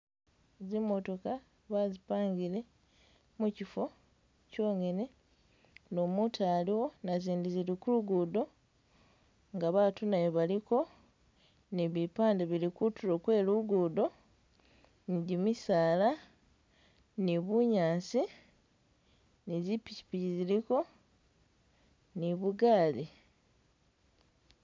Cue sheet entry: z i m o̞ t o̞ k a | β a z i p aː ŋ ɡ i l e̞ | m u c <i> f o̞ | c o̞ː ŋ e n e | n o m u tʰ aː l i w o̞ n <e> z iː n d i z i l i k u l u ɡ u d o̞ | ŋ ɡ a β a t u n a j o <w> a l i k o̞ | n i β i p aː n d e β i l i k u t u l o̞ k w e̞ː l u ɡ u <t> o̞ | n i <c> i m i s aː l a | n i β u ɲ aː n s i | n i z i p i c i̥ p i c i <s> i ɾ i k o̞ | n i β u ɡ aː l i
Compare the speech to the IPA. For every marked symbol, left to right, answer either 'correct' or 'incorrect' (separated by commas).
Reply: correct, incorrect, incorrect, incorrect, incorrect, incorrect